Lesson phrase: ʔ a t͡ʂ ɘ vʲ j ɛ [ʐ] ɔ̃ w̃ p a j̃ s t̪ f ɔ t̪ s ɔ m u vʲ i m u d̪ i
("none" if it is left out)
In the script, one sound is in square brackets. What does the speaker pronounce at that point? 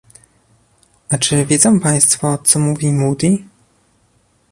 z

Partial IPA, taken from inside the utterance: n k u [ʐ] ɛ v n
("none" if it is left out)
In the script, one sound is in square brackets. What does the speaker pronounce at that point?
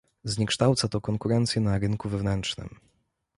v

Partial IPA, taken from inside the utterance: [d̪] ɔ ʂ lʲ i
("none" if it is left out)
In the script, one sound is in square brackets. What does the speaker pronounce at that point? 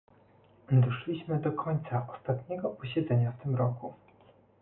d̪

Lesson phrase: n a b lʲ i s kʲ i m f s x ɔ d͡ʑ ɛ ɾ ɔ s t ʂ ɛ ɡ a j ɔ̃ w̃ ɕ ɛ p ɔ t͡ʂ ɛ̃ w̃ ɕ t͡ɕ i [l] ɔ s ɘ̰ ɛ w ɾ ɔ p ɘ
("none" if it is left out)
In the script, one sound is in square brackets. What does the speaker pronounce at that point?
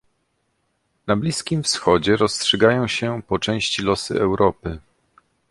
l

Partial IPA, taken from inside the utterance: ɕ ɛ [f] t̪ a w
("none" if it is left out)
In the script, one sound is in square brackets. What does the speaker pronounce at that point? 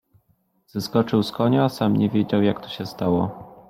s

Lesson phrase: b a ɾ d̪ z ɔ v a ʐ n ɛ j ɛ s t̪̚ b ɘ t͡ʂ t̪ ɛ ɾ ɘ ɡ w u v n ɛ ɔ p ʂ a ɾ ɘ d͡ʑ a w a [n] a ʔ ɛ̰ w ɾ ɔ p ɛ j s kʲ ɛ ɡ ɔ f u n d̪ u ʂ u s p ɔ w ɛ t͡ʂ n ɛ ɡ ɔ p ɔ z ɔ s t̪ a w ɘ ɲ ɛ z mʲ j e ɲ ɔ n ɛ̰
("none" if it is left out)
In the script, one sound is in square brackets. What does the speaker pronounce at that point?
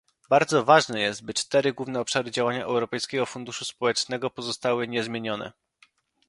ɲ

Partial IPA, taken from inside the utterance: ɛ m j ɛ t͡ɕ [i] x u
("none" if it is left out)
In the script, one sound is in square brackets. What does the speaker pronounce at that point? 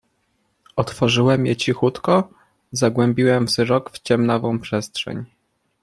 i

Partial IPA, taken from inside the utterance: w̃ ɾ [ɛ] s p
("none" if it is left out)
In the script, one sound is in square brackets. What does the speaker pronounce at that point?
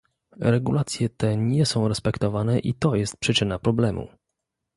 ɛ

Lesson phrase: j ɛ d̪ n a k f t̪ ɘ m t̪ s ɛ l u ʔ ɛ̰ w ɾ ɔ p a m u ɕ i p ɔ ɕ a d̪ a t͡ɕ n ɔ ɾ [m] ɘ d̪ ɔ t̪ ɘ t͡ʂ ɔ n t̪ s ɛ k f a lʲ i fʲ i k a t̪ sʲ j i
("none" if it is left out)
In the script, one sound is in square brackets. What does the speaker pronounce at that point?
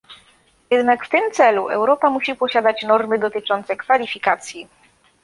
m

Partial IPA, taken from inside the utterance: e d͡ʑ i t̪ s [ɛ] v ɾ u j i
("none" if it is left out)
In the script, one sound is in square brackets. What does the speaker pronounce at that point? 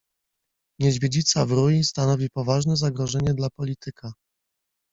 a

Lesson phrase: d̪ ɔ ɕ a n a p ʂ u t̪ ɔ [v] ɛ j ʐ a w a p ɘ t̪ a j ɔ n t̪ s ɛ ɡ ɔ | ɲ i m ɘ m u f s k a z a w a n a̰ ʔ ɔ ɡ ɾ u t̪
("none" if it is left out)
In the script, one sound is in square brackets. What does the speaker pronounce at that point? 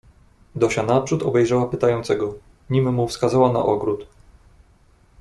b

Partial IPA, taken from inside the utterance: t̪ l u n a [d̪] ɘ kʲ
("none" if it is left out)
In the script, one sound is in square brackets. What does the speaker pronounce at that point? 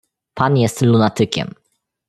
t̪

